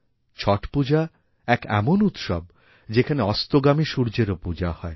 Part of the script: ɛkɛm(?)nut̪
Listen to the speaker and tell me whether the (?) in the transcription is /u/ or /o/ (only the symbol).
o